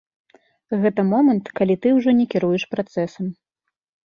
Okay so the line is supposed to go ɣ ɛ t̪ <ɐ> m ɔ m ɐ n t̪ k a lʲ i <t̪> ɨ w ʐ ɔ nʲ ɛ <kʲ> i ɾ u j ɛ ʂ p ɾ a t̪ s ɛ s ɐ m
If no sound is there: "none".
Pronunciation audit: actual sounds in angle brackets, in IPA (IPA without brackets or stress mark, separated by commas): ɐ, t̪, kʲ